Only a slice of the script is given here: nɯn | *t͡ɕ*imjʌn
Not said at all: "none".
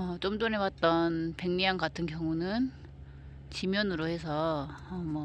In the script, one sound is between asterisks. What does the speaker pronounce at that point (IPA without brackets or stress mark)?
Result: t͡ɕ